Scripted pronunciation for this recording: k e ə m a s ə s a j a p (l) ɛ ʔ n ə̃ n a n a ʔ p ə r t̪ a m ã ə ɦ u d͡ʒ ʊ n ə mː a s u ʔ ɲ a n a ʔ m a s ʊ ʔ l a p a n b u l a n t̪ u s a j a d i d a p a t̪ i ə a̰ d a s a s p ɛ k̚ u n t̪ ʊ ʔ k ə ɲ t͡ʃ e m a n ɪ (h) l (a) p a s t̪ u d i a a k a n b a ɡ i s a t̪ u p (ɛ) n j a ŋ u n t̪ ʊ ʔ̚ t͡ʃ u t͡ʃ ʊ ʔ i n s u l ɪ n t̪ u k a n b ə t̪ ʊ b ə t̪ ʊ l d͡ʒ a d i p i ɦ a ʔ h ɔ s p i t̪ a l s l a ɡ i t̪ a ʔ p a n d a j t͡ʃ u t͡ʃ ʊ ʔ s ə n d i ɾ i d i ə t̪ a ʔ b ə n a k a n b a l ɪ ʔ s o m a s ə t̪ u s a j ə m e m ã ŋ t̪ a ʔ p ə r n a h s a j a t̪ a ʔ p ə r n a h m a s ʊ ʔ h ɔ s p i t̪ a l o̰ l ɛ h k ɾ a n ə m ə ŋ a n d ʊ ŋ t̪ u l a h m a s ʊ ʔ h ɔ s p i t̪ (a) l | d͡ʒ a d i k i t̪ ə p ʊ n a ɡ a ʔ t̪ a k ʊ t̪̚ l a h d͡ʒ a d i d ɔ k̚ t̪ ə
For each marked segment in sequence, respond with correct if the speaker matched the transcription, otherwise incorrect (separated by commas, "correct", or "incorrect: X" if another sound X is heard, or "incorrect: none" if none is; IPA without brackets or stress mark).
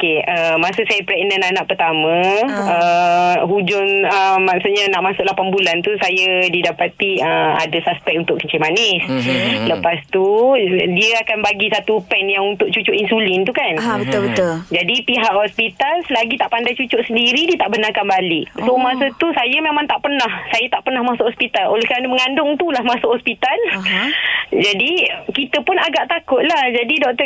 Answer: incorrect: ɾ, incorrect: s, incorrect: ə, correct, correct